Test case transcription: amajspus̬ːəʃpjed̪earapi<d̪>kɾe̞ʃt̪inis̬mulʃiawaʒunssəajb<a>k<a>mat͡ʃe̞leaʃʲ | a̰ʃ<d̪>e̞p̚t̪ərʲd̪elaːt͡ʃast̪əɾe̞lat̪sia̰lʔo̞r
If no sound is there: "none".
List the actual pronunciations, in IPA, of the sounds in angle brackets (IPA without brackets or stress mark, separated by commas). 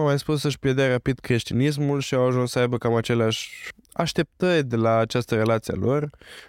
d̪, ə, a, t̪